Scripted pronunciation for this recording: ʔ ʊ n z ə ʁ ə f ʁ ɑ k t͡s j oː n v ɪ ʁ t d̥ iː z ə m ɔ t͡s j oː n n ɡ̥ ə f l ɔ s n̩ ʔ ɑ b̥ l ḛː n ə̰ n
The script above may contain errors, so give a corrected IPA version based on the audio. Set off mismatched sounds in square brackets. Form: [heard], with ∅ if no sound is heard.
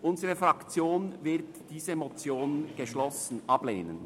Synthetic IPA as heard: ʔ ʊ n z ə ʁ ə f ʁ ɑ k t͡s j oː n v ɪ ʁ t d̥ iː z ə m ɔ t͡s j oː n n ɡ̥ ə [ʃ] l ɔ s n̩ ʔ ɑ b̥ l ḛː n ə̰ n